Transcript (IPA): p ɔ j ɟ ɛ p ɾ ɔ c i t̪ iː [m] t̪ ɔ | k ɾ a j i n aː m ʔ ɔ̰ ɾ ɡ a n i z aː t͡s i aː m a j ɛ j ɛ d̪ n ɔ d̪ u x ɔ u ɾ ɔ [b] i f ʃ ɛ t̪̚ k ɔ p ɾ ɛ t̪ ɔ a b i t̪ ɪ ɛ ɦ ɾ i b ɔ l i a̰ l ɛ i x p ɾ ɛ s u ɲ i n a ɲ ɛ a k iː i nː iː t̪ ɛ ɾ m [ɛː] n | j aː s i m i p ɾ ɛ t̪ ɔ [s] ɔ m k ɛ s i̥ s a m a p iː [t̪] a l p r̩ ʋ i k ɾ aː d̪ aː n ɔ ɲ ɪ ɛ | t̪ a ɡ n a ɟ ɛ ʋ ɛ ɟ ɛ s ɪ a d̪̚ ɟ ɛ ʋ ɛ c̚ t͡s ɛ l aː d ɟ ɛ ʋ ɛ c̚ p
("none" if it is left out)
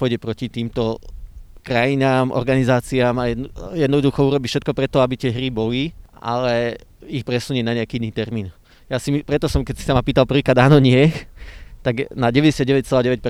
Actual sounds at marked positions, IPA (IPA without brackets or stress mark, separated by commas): m, b, iː, s, t̪